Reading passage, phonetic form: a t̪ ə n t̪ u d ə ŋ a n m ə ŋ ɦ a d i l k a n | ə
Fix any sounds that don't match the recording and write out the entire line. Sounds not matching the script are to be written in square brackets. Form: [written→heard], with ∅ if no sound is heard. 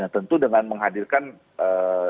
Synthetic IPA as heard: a t̪ ə n t̪ u d ə ŋ a n m ə ŋ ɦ a d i [l→r] k a n | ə